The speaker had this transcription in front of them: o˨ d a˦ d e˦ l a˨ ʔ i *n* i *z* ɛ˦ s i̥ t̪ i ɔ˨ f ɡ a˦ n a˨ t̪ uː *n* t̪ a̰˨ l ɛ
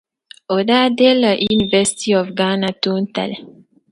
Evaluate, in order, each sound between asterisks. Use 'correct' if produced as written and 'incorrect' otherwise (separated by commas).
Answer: correct, incorrect, correct